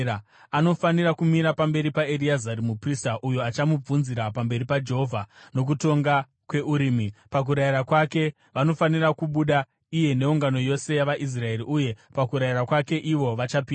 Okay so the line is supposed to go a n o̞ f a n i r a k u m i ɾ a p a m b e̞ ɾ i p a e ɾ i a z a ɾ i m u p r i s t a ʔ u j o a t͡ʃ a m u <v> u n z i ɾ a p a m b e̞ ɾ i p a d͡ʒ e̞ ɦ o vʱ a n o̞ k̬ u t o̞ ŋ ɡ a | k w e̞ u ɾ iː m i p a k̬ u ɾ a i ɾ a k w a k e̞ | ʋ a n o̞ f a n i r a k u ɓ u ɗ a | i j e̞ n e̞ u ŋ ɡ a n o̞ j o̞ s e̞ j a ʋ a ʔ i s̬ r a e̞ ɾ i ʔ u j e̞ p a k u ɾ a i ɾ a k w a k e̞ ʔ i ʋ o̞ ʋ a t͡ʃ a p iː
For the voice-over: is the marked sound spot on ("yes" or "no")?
no